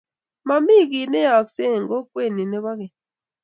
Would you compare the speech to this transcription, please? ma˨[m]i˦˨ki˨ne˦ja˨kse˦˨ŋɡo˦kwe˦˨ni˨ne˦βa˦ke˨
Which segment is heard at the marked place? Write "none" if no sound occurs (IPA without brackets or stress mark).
m